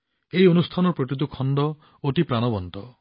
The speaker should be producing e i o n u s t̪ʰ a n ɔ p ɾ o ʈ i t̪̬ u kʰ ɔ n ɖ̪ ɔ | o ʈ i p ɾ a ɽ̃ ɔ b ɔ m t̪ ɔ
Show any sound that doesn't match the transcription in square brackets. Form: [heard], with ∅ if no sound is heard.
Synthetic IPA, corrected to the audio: e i o n u s t̪ʰ a n ɔ p ɾ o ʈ i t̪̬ u kʰ ɔ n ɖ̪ ɔ | o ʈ i p ɾ a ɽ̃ ɔ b ɔ [n] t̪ ɔ